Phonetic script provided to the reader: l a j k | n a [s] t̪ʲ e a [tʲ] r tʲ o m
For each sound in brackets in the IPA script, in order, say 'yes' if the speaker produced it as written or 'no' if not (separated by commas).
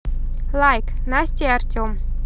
yes, no